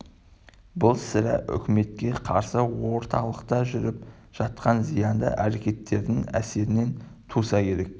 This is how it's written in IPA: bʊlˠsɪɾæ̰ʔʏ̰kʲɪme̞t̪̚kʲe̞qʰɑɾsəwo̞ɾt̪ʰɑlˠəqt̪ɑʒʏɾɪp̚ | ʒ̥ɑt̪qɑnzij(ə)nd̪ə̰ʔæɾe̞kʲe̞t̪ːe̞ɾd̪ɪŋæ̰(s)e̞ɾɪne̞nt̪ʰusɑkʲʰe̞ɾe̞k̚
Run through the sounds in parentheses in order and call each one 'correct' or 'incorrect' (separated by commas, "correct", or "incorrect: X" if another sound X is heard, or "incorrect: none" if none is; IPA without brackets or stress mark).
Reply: incorrect: ɑ, correct